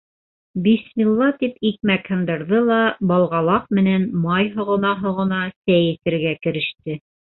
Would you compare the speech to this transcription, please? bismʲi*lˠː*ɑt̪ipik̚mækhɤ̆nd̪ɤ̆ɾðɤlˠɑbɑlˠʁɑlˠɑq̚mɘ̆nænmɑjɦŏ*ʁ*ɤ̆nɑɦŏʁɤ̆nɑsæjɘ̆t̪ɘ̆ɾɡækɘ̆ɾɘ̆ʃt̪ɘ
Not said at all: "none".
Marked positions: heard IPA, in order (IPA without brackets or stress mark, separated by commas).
lˠː, ʁ